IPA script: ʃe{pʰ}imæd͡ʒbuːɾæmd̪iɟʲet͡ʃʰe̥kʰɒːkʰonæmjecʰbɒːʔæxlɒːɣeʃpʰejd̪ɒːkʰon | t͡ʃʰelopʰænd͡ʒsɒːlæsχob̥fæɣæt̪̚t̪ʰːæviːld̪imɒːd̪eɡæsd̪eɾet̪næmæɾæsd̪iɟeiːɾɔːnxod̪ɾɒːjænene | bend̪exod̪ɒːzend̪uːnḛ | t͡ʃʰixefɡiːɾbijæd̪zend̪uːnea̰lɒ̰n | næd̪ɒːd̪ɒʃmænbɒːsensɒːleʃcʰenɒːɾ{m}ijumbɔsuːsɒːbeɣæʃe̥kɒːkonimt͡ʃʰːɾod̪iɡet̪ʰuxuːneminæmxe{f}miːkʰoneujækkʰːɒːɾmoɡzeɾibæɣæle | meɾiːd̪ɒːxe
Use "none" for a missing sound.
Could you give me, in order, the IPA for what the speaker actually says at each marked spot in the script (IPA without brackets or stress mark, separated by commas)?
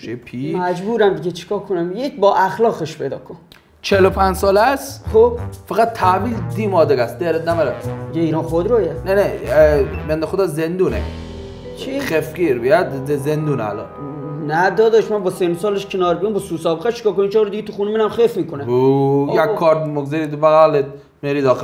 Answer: pʰ, b, f